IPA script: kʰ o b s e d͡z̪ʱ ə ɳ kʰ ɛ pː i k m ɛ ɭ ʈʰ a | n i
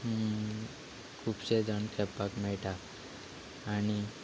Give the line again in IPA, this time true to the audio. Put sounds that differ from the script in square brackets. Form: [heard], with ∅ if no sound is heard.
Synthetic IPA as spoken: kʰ [u] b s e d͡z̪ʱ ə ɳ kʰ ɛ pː [a] k m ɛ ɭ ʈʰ a | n i